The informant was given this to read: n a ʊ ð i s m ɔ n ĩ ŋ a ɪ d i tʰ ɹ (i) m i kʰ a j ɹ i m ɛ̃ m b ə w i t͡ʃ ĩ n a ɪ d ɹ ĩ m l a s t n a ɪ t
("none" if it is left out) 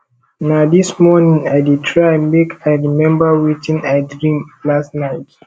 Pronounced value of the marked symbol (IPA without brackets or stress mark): a